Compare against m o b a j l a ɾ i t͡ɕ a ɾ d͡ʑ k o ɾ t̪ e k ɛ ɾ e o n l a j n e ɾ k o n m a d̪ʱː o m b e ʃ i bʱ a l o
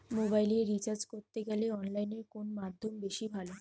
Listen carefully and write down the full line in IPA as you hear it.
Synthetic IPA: m o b a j l e ɾ i t͡ɕ a ɾ d͡ʑ k o ɾ t̪ e ɡ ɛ l e ɔ n l a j n e ɾ k o n m a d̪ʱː o m b e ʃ i bʱ a l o